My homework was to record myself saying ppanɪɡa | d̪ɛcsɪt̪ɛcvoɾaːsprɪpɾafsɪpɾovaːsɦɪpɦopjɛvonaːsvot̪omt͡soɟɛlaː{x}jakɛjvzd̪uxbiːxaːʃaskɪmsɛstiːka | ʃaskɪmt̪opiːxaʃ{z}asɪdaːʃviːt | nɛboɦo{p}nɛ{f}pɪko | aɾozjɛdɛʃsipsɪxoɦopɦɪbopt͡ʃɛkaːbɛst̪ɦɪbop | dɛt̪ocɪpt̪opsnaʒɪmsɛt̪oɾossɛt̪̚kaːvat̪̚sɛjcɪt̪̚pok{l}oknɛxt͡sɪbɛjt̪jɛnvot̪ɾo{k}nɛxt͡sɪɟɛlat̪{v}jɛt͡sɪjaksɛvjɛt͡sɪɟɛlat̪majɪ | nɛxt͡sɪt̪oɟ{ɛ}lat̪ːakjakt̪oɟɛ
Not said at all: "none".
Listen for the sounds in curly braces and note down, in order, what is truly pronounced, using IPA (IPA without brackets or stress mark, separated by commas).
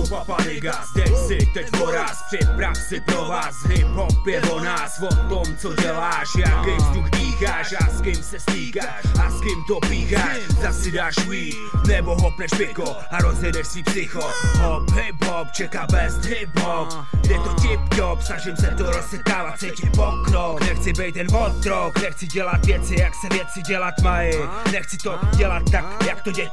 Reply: ʃ, z, p, ʃ, ɾ, k, v, ɛ